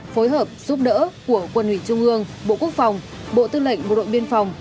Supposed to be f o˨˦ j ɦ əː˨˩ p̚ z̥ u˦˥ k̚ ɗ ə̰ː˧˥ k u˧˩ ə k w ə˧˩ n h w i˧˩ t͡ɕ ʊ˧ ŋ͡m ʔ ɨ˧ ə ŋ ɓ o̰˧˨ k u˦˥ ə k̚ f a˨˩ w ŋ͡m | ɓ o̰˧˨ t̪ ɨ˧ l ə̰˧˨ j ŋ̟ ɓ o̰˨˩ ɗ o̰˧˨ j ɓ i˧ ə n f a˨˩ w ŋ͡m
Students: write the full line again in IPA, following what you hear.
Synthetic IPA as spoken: f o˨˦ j ɦ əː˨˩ p̚ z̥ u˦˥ p̚ ɗ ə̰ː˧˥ k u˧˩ ə k w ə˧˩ n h w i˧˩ t͡ɕ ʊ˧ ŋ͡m ʔ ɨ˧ ə ŋ ɓ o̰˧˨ k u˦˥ ə k̚ f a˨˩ w ŋ͡m | ɓ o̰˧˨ t̪ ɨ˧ l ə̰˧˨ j ŋ̟ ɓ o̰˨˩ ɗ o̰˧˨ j ɓ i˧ ə n f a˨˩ w ŋ͡m